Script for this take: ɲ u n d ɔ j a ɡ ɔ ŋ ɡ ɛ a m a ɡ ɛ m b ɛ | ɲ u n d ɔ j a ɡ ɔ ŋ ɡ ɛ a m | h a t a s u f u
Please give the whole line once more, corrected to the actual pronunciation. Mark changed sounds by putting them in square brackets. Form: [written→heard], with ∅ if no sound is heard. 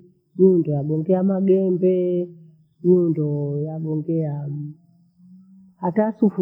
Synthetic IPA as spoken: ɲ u n d ɔ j a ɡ ɔ ŋ ɡ ɛ a m a ɡ ɛ m b ɛ | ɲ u n d ɔ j a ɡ ɔ ŋ ɡ ɛ a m | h a t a s u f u